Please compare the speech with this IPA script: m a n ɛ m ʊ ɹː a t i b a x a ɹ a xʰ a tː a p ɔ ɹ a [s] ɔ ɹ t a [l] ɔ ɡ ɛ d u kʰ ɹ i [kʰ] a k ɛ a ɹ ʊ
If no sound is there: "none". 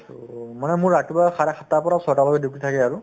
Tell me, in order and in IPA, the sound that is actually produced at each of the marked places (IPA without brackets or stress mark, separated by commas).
s, l, tʰ